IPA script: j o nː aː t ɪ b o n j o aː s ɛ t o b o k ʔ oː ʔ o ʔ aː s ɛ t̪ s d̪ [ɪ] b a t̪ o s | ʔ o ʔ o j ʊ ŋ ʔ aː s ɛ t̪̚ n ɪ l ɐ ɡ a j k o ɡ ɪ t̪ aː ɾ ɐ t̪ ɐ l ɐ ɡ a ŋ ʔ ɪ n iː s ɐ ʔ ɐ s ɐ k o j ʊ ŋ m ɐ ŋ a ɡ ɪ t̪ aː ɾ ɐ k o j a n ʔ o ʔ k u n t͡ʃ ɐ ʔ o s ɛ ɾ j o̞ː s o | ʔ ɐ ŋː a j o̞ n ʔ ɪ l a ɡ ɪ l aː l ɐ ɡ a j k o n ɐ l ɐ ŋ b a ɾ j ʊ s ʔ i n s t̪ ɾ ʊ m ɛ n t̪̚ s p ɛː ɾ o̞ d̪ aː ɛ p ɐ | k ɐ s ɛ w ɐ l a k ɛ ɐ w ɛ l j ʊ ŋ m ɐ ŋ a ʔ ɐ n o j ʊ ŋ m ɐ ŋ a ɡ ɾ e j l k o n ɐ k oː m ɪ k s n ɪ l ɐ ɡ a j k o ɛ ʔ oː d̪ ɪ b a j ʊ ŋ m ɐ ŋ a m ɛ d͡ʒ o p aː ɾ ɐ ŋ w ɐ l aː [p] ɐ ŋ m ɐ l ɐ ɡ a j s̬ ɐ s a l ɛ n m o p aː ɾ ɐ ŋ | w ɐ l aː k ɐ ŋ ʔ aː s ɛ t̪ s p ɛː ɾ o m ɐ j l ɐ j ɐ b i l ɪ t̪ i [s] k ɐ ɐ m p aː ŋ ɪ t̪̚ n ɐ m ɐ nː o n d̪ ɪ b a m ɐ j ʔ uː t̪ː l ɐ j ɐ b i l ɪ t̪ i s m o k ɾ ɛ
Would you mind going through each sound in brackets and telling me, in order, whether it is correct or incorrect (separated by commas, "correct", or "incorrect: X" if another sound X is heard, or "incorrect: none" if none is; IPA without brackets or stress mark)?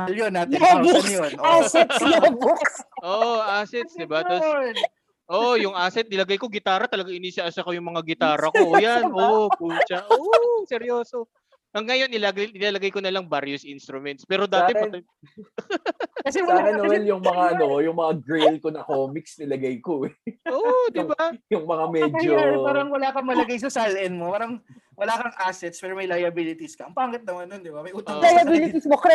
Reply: correct, incorrect: k, correct